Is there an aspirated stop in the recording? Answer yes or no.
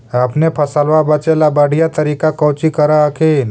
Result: yes